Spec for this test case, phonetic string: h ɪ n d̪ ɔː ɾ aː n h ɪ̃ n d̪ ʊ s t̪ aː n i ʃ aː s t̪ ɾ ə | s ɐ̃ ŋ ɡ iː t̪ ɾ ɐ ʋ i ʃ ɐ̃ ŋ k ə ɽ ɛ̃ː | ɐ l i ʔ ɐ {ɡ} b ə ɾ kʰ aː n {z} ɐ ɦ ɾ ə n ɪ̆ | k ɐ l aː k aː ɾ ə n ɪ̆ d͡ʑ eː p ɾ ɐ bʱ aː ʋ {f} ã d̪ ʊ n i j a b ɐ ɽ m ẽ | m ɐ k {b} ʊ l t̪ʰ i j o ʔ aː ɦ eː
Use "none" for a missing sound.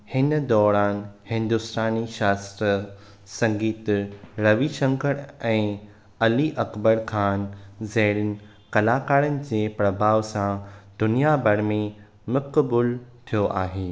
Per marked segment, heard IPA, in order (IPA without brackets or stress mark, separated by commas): k, z, s, b